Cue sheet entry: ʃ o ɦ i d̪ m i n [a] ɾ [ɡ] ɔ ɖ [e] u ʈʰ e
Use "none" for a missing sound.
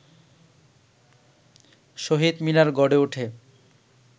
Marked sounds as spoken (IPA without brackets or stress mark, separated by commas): a, ɡ, e